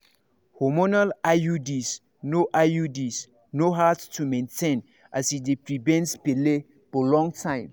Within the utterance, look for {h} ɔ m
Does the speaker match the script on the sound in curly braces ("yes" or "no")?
yes